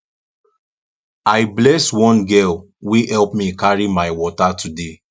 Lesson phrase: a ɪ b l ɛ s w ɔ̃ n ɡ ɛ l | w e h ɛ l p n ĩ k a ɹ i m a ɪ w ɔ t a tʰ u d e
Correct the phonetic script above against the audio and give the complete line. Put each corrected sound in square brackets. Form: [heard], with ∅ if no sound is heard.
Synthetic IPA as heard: a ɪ b l ɛ s w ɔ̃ n ɡ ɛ l | w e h ɛ l p [m] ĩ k a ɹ i m a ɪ w ɔ t a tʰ u d e